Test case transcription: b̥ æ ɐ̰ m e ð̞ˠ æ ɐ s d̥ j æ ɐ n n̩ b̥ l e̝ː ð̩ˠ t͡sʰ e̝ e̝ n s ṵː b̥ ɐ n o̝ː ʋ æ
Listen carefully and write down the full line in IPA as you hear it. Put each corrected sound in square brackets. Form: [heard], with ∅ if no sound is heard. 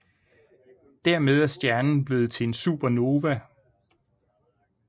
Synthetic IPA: [d̥] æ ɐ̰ m e ð̞ˠ æ ɐ s d̥ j æ ɐ n n̩ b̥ l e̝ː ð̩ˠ t͡sʰ e̝ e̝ n s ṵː b̥ ɐ n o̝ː ʋ æ